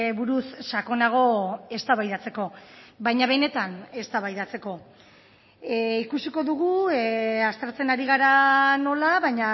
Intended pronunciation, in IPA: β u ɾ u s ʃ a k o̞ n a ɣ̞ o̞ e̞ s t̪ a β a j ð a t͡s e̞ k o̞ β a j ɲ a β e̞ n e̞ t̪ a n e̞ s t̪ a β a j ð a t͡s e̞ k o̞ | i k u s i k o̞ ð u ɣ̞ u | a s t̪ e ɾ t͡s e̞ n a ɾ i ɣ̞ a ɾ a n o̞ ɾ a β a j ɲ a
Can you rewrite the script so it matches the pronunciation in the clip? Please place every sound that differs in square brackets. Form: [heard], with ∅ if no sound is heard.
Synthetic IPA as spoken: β u ɾ u s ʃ a k o̞ n a ɣ̞ o̞ e̞ s t̪ a β a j ð a t͡s e̞ k o̞ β a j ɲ a β e̞ n e̞ t̪ a n e̞ s t̪ a β a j ð a t͡s e̞ k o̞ | i k u s i k o̞ ð u ɣ̞ u | a s t̪ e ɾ t͡s e̞ n a ɾ i ɣ̞ a ɾ a n o̞ [l] a β a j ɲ a